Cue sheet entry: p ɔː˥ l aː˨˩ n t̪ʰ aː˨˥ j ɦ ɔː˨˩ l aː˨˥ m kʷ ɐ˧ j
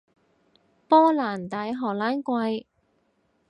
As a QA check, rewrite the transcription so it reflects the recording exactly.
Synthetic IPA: p ɔː˥ l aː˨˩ n t̪ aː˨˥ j ɦ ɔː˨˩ l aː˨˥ n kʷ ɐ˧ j